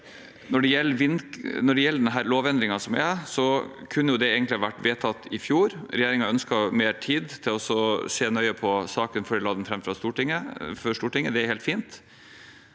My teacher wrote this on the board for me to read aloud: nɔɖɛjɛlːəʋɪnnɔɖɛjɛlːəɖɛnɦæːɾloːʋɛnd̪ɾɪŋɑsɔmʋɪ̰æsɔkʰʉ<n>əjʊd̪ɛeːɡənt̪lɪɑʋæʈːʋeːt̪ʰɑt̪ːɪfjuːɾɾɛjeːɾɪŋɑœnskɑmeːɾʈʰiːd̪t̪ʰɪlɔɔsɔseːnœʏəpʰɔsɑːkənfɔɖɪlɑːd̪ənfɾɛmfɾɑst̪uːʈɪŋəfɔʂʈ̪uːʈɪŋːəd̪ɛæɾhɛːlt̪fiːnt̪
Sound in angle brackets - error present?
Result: yes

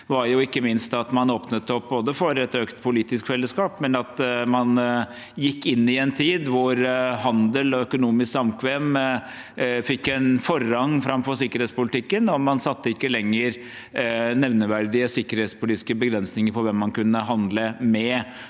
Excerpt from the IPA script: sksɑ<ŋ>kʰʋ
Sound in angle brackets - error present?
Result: yes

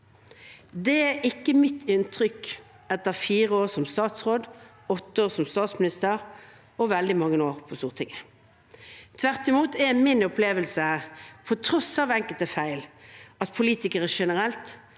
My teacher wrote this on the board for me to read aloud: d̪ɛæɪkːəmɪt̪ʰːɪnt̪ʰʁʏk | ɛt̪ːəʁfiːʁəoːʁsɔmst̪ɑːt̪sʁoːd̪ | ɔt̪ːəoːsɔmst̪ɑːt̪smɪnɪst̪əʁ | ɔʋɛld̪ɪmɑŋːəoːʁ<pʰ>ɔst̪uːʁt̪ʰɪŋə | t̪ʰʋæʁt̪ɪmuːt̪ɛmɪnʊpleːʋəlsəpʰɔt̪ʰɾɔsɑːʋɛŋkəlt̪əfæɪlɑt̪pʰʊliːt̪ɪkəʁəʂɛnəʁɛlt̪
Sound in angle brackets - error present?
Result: no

